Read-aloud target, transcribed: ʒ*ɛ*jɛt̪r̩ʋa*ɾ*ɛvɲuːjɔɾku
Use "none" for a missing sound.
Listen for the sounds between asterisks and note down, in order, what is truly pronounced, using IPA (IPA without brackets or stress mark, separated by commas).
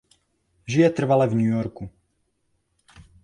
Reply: i, l